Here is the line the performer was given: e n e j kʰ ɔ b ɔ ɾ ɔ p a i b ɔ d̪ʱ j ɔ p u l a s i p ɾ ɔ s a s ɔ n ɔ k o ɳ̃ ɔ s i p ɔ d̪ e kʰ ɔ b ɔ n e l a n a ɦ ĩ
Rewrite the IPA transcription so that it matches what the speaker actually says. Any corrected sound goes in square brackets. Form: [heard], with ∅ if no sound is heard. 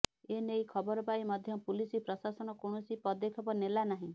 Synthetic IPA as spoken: e n e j kʰ ɔ b ɔ ɾ ɔ p a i [m] ɔ d̪ʱ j ɔ p u l [i] s i p ɾ ɔ s a s ɔ n ɔ k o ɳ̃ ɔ s i p ɔ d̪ e kʰ ɔ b ɔ n e l a n a ɦ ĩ